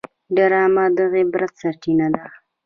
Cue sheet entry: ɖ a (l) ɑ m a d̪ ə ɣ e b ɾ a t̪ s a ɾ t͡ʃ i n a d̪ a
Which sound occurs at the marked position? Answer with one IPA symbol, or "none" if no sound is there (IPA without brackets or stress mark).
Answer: ɾ